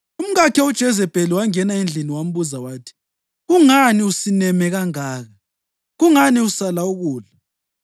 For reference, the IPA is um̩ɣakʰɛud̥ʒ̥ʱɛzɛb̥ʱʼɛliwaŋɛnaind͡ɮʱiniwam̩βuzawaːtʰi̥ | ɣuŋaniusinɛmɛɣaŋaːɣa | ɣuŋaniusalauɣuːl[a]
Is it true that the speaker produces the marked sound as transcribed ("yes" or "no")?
yes